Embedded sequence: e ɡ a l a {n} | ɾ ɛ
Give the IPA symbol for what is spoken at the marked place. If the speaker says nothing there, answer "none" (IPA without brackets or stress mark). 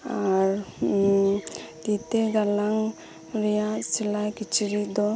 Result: ŋ